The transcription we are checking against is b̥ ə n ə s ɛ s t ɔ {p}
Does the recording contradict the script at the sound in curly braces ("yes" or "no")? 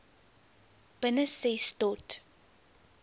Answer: yes